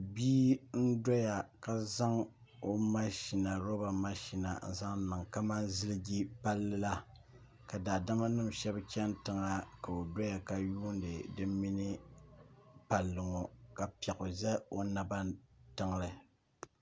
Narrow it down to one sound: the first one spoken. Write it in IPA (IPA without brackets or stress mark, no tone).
b